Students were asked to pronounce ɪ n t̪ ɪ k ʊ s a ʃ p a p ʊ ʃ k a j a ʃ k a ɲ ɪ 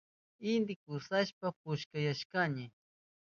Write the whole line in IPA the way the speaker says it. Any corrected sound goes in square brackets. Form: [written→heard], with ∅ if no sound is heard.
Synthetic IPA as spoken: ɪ n [t̪→d̪] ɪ k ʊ s a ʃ p a p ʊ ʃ k a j a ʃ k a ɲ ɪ